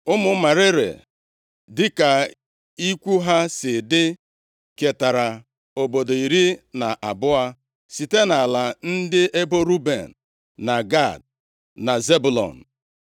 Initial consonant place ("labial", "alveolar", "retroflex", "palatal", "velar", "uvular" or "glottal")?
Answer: labial